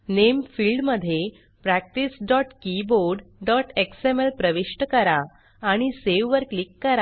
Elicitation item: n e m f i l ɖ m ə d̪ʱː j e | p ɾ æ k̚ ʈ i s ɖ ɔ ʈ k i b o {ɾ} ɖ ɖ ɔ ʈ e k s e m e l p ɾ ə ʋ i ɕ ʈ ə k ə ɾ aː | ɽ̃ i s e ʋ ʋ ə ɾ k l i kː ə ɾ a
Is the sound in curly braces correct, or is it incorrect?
correct